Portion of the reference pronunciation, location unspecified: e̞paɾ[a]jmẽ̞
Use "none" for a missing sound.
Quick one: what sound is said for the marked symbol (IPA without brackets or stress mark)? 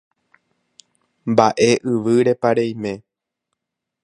e